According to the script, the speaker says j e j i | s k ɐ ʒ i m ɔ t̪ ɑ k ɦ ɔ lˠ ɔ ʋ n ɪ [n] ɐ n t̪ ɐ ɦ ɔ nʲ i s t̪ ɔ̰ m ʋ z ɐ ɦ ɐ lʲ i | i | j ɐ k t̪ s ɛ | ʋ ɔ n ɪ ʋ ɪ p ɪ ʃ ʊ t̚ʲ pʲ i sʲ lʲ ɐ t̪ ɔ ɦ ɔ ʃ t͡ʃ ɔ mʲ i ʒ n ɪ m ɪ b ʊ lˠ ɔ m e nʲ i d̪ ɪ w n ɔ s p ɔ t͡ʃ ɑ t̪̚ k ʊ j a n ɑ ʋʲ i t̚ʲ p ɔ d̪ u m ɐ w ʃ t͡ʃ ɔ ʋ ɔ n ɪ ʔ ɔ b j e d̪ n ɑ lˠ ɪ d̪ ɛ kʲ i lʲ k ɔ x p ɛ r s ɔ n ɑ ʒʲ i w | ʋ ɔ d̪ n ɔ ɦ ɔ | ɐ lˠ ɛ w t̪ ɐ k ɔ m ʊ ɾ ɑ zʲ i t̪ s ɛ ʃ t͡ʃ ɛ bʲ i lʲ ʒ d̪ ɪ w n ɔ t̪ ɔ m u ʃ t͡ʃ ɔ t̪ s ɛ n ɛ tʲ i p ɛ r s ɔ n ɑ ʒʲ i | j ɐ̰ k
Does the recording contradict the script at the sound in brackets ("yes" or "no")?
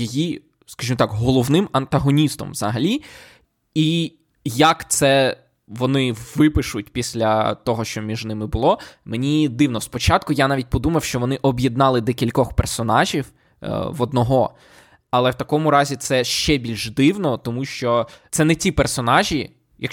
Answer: yes